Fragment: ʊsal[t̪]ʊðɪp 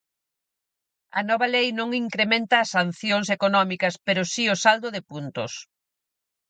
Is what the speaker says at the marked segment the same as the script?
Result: no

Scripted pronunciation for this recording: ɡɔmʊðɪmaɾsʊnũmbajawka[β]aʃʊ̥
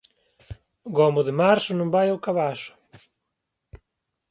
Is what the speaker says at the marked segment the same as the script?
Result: yes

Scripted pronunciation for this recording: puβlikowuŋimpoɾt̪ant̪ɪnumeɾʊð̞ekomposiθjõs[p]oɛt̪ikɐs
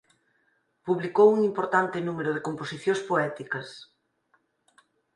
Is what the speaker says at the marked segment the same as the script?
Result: yes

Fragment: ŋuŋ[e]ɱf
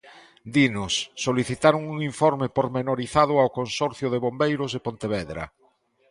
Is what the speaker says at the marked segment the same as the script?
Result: no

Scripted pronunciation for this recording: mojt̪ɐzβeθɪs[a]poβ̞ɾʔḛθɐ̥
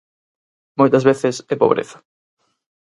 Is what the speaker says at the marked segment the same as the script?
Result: no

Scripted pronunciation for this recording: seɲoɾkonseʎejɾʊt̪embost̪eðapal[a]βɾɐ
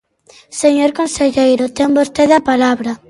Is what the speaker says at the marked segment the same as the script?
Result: yes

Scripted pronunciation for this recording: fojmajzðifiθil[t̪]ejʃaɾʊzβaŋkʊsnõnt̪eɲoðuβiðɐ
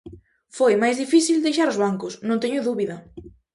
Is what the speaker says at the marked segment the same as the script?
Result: no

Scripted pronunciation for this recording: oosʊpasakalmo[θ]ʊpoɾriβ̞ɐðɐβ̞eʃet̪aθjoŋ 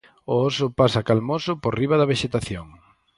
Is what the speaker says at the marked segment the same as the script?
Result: no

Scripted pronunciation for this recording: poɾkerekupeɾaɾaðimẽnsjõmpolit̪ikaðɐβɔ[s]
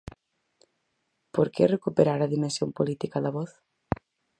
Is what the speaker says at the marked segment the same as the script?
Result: no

